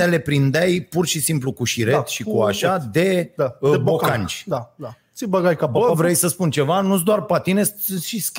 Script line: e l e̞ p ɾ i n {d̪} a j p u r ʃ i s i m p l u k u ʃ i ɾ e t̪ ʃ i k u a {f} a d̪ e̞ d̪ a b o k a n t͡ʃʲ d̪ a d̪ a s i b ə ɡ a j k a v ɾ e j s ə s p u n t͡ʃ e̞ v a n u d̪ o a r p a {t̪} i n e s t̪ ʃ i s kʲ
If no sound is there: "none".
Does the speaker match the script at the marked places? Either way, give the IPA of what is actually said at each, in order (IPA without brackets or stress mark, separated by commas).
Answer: d̪, ʃ, t̪